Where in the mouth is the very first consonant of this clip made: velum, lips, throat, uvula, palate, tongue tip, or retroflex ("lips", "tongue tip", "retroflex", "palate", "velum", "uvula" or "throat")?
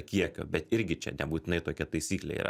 velum